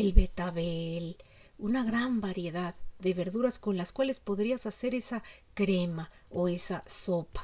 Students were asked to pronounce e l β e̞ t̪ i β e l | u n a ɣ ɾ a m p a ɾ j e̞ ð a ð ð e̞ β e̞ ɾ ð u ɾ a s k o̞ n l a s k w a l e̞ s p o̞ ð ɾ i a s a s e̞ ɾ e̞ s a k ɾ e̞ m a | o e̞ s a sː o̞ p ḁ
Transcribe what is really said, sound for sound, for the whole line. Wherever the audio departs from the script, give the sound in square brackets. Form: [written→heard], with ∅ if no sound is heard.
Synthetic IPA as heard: e l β e̞ t̪ [i→a] β e l | u n a ɣ ɾ a m [p→b] a ɾ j e̞ ð a ð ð e̞ β e̞ ɾ ð u ɾ a s k o̞ n l a s k w a l e̞ s p o̞ ð ɾ i a s a s e̞ ɾ e̞ s a k ɾ e̞ m a | o e̞ s a [sː→s] o̞ p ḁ